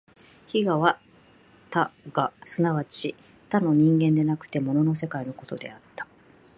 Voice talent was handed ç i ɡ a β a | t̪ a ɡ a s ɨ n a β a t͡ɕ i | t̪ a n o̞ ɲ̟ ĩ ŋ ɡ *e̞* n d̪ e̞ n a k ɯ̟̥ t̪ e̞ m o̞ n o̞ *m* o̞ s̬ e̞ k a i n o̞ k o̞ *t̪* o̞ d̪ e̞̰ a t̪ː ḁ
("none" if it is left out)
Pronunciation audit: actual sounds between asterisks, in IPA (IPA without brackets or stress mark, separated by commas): ẽ̞, n, t̪